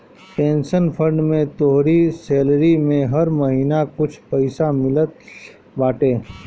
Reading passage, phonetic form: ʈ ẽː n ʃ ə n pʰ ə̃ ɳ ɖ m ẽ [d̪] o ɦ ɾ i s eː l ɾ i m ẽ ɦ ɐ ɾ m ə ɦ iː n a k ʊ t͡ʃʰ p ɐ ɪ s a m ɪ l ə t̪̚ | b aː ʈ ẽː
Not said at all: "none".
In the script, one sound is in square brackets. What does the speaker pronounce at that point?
t̪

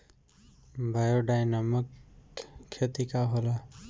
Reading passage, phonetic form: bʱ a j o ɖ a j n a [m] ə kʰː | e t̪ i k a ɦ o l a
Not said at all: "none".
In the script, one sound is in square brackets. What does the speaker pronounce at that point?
m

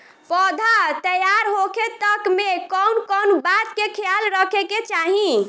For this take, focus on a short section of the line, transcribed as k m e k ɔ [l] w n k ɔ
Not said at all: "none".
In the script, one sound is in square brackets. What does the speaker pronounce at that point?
none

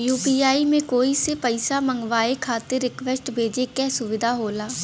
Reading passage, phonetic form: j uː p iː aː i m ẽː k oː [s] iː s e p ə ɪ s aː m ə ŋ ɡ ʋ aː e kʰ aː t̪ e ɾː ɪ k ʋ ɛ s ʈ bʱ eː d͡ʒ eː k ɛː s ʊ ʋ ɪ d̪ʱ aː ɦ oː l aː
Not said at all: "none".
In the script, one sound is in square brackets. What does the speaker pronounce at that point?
none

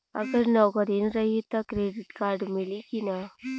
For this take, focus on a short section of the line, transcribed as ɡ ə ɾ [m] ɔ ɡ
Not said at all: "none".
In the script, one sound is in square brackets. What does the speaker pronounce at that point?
n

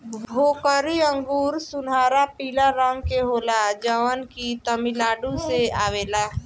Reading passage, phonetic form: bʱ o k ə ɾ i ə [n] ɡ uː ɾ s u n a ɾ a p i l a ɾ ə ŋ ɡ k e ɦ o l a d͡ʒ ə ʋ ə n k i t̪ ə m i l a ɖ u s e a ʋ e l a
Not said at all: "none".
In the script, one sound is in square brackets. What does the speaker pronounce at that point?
ŋ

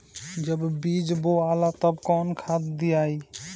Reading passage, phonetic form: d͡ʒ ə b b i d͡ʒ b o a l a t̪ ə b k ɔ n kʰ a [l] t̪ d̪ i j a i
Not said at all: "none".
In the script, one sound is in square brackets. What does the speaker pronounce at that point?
none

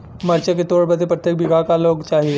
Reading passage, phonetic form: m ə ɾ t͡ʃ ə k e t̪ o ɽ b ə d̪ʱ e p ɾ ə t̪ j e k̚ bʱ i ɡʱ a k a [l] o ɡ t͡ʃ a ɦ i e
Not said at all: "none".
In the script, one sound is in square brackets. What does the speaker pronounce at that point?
l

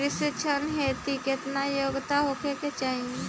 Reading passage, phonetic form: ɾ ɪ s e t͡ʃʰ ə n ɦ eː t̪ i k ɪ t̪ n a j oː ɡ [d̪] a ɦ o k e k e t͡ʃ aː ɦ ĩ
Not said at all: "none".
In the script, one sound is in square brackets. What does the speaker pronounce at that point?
t̪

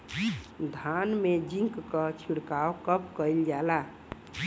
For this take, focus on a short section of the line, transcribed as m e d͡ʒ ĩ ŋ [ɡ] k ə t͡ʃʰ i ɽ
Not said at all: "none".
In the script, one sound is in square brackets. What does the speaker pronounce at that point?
k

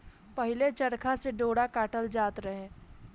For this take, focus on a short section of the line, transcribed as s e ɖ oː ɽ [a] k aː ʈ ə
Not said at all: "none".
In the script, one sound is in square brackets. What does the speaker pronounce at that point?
a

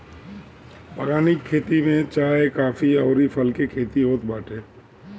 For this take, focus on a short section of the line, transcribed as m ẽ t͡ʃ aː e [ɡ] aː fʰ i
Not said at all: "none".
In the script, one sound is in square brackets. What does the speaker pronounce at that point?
k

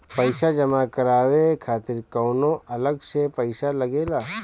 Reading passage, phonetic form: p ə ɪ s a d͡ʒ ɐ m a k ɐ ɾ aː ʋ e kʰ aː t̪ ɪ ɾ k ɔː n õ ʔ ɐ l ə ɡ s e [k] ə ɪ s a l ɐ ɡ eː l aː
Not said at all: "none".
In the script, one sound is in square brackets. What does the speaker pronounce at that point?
p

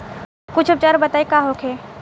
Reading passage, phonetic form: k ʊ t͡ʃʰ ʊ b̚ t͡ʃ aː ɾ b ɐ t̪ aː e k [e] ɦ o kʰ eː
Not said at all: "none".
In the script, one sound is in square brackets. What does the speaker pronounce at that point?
a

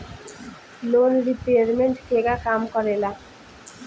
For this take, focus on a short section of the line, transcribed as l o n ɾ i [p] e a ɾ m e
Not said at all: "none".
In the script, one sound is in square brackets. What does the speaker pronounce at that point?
p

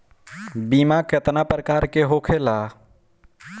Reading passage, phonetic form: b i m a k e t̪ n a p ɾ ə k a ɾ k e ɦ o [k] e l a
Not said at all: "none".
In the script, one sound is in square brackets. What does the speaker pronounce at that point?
kʰ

